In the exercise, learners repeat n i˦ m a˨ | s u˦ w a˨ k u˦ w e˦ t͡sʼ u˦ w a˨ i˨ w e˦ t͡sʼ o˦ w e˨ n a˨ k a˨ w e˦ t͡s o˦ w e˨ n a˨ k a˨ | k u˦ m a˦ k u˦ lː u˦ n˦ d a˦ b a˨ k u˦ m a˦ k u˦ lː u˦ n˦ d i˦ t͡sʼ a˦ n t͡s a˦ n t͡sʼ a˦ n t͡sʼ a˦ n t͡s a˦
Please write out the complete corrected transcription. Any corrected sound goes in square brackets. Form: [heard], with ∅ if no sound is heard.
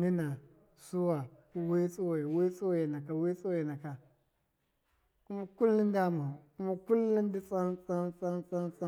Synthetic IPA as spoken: n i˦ [n] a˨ | s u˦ w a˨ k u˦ w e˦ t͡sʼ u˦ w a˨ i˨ w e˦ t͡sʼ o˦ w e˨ n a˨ k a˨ w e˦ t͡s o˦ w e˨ n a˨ k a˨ | k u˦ m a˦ k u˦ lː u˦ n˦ d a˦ [m] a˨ k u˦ m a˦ k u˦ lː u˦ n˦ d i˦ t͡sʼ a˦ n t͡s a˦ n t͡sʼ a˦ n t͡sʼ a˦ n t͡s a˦